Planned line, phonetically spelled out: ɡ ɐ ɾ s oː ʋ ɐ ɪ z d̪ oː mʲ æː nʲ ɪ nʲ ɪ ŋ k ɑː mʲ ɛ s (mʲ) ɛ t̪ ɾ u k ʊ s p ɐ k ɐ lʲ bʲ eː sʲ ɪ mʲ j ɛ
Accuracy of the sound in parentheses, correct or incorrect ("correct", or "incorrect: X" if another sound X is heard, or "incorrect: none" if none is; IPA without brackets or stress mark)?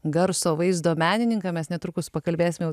incorrect: nʲ